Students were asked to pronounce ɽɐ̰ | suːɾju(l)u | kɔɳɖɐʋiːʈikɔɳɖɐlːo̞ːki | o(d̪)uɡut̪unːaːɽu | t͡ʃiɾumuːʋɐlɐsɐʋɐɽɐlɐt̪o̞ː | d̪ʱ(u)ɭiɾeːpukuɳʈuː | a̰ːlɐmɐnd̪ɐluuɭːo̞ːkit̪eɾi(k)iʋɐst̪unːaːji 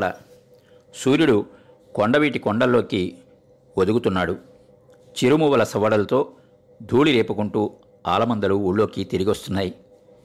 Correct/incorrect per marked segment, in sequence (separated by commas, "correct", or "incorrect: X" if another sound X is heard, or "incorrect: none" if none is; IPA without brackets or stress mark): incorrect: ɽ, correct, incorrect: uː, incorrect: ɡ